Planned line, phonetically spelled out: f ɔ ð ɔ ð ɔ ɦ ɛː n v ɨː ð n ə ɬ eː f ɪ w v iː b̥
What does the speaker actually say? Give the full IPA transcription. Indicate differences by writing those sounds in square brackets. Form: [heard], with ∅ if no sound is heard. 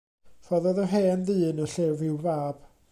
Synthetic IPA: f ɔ ð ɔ ð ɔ ɦ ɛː n [ð] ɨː [∅] n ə ɬ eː [v] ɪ w v [aː] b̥